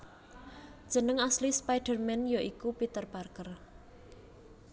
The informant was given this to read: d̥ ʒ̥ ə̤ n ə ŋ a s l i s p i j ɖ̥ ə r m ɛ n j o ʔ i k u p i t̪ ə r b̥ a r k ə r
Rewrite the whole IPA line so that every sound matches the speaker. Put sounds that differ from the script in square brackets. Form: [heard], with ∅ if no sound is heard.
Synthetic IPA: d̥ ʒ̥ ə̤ n ə ŋ a s l i s p [a] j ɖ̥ ə r m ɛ n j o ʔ i k u p i t̪ ə r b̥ a r k ə r